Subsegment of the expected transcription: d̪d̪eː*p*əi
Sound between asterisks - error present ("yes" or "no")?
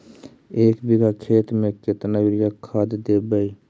yes